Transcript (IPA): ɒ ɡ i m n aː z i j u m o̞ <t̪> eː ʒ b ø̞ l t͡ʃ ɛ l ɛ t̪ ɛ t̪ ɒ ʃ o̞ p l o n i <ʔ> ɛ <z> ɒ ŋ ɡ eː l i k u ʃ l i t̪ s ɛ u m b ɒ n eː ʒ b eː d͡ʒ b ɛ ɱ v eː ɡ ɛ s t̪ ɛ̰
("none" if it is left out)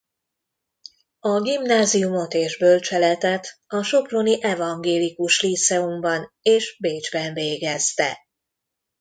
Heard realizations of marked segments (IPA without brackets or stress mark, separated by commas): t̪, ʔ, v